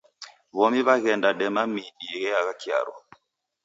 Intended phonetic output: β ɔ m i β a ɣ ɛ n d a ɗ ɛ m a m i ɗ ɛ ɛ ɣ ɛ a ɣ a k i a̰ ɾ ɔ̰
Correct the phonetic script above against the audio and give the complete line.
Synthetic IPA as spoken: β ɔ m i β a ɣ ɛ n d a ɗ ɛ m a m i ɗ i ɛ ɣ ɛ a ɣ a k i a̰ ɾ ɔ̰